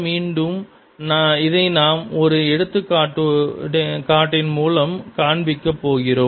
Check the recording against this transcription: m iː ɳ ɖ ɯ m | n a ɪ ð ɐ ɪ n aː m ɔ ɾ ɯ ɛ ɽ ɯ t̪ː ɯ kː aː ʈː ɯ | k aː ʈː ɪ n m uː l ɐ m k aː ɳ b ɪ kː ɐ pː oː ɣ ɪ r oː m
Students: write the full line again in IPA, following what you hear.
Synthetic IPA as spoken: m iː ɳ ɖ ɯ m | n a ɪ ð ɐ ɪ n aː m ɔ ɾ ɯ ɛ ɽ ɯ t̪ː ɯ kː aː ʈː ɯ | k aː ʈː ɪ n m uː l ɐ m k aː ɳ b ɪ kː ɐ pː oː ɣ ɪ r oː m